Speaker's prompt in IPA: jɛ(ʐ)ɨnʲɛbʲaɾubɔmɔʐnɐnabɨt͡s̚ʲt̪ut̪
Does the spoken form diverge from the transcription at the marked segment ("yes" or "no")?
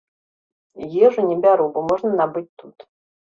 no